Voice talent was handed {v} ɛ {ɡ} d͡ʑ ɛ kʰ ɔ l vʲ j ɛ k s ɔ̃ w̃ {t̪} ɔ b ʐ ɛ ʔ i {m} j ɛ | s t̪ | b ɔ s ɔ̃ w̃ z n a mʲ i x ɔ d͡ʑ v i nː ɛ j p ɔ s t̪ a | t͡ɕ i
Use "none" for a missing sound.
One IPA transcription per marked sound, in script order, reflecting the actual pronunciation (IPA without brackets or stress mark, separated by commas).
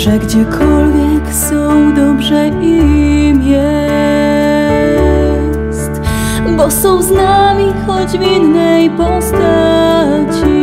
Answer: ʐ, ɡ, d̪, m